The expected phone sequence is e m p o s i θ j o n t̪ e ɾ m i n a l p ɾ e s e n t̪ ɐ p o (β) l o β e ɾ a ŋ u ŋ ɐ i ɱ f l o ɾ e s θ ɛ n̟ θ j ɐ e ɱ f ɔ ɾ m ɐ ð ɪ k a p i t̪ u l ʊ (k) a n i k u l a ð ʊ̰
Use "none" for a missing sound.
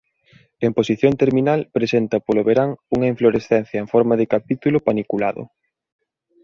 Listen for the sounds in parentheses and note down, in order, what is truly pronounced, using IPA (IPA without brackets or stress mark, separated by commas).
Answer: none, p